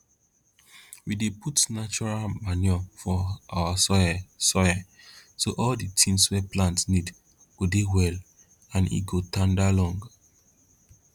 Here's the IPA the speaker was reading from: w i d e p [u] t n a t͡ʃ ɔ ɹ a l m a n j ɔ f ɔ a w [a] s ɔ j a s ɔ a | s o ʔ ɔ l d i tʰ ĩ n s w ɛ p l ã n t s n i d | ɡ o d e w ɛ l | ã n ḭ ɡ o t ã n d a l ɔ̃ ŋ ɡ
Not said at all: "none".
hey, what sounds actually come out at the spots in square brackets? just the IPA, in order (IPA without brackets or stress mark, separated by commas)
u, a